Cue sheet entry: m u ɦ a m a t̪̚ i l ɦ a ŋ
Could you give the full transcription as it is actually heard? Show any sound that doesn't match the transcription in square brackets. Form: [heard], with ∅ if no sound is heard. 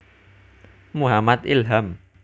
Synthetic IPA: m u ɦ a m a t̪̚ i l ɦ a [m]